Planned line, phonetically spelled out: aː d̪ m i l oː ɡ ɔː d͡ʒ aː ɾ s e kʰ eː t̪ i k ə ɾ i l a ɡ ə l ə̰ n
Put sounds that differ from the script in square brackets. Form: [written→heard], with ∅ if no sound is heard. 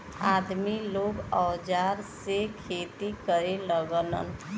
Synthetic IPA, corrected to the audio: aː d̪ m i l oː ɡ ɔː d͡ʒ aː ɾ s e kʰ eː t̪ i k ə ɾ [i→e] l [a→ə] ɡ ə l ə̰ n